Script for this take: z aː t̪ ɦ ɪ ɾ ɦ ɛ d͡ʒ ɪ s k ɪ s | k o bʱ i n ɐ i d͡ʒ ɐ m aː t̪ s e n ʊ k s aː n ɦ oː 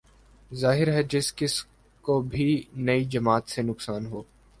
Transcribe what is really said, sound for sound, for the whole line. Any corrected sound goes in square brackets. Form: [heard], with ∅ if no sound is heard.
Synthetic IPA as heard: z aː [∅] ɦ ɪ ɾ ɦ ɛ d͡ʒ ɪ s k ɪ s | k o bʱ i n ɐ i d͡ʒ ɐ m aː t̪ s e n ʊ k s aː n ɦ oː